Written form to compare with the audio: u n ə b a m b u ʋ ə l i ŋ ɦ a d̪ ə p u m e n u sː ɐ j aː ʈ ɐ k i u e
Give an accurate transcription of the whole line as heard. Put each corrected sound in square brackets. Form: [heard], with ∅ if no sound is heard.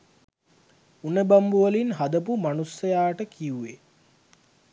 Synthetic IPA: u n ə b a m b u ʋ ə l i [n] ɦ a d̪ ə p u m [a] n u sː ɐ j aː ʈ [ə] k i u e